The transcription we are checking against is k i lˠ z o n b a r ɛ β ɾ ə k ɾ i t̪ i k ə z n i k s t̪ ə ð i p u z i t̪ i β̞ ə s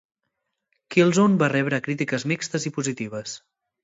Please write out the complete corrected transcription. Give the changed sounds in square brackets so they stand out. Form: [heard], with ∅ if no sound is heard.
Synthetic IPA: k i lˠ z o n b a r ɛ β ɾ ə k ɾ i t̪ i k ə z [m] i k s t̪ ə [z] i p u z i t̪ i β̞ ə s